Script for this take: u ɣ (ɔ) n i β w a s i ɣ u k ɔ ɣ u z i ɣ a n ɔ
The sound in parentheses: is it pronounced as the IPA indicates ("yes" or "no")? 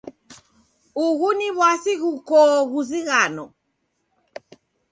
no